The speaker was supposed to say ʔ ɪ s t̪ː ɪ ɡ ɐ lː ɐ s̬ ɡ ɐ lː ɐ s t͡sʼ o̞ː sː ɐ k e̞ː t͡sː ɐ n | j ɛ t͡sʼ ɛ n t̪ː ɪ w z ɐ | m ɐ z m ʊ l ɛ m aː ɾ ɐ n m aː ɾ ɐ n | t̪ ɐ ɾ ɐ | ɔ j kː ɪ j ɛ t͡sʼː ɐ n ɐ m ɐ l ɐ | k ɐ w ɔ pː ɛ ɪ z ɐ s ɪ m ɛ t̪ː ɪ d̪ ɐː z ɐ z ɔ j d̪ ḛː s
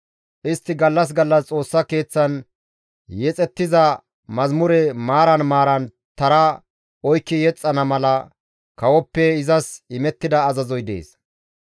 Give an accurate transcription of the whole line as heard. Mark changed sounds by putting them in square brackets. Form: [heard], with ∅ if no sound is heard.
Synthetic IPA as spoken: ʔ ɪ s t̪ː ɪ ɡ ɐ lː ɐ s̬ ɡ ɐ lː ɐ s t͡sʼ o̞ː sː ɐ k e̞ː t͡sː ɐ n | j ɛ t͡sʼ ɛ [∅] t̪ː ɪ [∅] z ɐ | m ɐ z m ʊ [ɾ] ɛ m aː ɾ ɐ n m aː ɾ ɐ n | t̪ ɐ ɾ ɐ | ɔ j kː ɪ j ɛ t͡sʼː ɐ n ɐ m ɐ l ɐ | k ɐ w ɔ pː ɛ ɪ z ɐ s ɪ m ɛ t̪ː ɪ d̪ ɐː z ɐ z ɔ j d̪ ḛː s

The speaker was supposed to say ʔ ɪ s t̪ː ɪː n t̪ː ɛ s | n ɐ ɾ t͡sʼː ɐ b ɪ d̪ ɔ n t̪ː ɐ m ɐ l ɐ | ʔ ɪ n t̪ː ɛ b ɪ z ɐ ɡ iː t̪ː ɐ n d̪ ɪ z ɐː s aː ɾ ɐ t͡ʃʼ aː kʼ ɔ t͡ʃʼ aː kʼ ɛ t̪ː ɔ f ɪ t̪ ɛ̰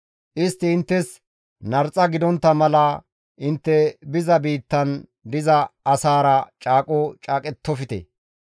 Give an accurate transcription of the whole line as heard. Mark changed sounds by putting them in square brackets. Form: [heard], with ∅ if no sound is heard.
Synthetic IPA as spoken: ʔ ɪ s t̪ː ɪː n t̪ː ɛ s | n ɐ ɾ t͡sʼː ɐ [ɡ] ɪ d̪ ɔ n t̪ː ɐ m ɐ l ɐ | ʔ ɪ n t̪ː ɛ b ɪ z ɐ [b] iː t̪ː ɐ n d̪ ɪ z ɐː s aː ɾ ɐ t͡ʃʼ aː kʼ ɔ t͡ʃʼ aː kʼ ɛ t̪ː ɔ f ɪ t̪ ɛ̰

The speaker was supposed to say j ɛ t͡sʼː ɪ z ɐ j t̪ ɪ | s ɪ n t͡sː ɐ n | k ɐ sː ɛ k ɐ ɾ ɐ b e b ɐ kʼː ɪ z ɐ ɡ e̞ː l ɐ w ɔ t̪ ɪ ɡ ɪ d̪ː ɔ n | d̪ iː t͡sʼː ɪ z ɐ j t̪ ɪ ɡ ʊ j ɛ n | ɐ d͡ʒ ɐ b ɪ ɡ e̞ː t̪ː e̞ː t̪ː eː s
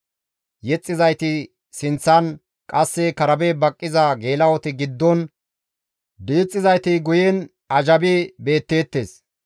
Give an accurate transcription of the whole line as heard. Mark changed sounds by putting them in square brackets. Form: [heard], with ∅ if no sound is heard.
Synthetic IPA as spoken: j ɛ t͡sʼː ɪ z ɐ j t̪ ɪ | s ɪ n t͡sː ɐ n | [kʼ] ɐ sː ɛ k ɐ ɾ ɐ b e b ɐ kʼː ɪ z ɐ ɡ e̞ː l ɐ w ɔ t̪ ɪ ɡ ɪ d̪ː ɔ n | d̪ iː t͡sʼː ɪ z ɐ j t̪ ɪ ɡ ʊ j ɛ n | ɐ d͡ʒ ɐ b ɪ [b] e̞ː t̪ː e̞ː t̪ː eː s

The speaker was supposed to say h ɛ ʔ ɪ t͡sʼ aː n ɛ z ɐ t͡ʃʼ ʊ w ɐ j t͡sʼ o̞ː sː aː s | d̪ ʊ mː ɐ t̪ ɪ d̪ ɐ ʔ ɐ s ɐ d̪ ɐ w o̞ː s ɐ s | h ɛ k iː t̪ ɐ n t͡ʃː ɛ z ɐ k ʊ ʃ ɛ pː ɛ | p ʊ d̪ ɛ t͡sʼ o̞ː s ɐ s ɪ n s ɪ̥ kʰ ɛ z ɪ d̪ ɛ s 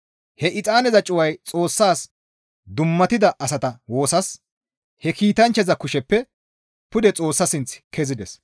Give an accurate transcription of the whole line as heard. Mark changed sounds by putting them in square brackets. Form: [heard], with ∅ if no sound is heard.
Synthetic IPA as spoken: h ɛ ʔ ɪ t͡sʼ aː n ɛ z ɐ t͡ʃʼ ʊ w ɐ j t͡sʼ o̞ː sː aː s | d̪ ʊ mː ɐ t̪ ɪ d̪ ɐ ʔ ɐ s ɐ [t̪] ɐ w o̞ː s ɐ s | h ɛ k iː t̪ ɐ n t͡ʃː ɛ z ɐ k ʊ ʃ ɛ pː ɛ | p ʊ d̪ ɛ t͡sʼ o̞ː [sː] ɐ s ɪ n [t͡s] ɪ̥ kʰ ɛ z ɪ d̪ ɛ s

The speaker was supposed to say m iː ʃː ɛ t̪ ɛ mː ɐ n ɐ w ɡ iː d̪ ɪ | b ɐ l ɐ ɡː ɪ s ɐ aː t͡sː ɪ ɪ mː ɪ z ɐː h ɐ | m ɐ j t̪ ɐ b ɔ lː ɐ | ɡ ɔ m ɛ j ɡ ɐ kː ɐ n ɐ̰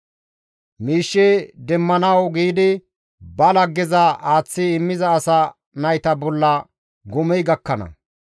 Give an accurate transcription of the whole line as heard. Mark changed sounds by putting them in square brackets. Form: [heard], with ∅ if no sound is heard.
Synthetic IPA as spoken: m iː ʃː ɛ [d̪] ɛ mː ɐ n ɐ w ɡ iː d̪ ɪ | b ɐ l ɐ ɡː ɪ [z] ɐ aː t͡sː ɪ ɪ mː ɪ z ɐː [s] ɐ | [n] ɐ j t̪ ɐ b ɔ lː ɐ | ɡ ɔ m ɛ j ɡ ɐ kː ɐ n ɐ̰

